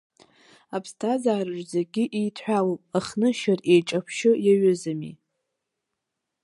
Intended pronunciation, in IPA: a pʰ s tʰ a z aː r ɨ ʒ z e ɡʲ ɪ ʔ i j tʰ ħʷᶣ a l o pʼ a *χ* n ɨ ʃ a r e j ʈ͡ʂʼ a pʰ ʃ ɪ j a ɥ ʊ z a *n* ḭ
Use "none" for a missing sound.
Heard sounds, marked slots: χ, m

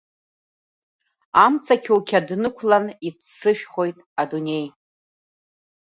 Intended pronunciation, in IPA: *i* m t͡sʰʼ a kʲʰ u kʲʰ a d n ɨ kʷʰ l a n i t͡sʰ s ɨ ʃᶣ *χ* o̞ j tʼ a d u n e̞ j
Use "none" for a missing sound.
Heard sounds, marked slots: a, χ

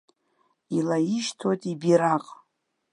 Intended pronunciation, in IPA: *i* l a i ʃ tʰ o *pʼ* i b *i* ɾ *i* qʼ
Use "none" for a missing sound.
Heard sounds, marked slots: i, tʼ, i, a

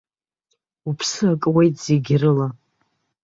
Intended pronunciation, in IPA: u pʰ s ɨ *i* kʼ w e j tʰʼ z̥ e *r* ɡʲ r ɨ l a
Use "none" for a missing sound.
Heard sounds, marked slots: a, none

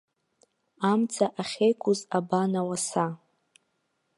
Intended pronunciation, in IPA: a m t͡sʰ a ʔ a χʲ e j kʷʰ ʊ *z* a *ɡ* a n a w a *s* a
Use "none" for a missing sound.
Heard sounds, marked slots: z, b, s

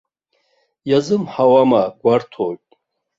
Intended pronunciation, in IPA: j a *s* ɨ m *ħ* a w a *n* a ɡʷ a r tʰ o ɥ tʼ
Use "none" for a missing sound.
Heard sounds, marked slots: z, ħ, m

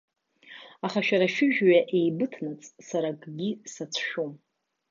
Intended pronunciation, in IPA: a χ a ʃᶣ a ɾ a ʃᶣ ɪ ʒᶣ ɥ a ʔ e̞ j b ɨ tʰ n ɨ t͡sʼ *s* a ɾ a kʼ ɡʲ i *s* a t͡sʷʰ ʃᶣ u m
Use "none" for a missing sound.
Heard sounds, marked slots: s, s

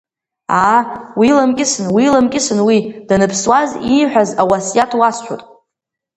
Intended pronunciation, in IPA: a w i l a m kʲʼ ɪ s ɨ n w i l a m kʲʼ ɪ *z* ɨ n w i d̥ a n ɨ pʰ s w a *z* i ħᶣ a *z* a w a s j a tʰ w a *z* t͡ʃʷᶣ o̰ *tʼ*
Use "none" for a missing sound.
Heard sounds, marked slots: s, z, z, s, tʼ

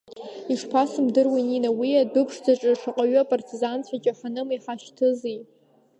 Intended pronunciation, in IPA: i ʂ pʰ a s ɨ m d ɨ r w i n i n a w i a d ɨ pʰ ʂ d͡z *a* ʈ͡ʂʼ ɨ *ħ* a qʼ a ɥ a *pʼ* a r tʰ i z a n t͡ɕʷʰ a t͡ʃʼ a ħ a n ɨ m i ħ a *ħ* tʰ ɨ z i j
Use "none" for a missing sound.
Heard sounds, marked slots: a, ʂ, pʼ, ʃ

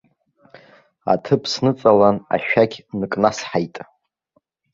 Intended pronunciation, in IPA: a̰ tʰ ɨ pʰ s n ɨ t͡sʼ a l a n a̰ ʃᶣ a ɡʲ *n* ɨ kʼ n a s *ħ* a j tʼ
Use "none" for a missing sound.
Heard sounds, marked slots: n, ħ

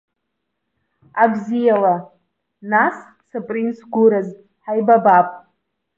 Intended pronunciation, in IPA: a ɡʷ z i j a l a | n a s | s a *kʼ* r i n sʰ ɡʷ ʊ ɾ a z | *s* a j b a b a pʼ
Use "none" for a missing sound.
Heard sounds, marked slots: pʼ, ħ

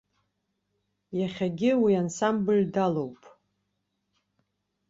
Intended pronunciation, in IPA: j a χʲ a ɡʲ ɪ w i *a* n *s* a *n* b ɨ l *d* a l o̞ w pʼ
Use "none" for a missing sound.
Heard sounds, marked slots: a, s, m, d

